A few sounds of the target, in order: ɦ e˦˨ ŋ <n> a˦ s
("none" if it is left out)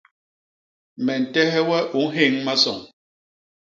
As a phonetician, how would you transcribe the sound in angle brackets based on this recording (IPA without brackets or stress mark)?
m